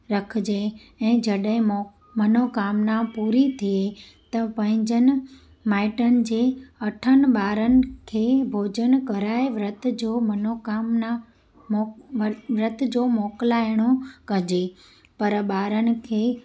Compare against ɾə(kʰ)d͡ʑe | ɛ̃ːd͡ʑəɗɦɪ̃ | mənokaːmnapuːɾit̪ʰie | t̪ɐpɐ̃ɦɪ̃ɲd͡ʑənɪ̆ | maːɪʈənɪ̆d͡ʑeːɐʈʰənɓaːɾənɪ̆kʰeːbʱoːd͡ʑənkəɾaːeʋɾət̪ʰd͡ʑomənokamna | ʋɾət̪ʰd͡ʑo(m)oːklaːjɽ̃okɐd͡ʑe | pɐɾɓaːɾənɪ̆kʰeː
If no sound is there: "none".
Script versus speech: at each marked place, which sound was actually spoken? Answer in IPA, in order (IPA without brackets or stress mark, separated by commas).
kʰ, m